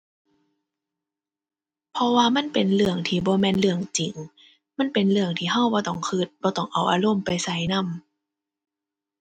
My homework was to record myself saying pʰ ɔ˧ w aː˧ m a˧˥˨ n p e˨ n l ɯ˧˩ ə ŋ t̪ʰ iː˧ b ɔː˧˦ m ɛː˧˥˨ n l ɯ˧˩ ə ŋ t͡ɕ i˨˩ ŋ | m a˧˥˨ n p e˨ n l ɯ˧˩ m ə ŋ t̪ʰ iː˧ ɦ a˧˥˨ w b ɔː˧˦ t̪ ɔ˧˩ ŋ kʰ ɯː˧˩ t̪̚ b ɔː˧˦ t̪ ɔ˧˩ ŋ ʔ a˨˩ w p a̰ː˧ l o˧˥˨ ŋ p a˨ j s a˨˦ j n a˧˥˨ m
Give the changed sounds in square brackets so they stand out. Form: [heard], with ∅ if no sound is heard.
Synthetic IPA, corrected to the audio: pʰ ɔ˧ w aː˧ m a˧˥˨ n p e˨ n l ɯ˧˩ ə ŋ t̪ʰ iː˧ b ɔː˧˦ m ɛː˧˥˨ n l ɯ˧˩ ə ŋ t͡ɕ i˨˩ ŋ | m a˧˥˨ n p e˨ n l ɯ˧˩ [∅] ə ŋ t̪ʰ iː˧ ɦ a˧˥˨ w b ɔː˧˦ t̪ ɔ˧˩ ŋ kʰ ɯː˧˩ t̪̚ b ɔː˧˦ t̪ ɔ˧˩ ŋ ʔ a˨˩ w [ʔ] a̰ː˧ l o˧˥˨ [m] p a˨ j s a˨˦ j n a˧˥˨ m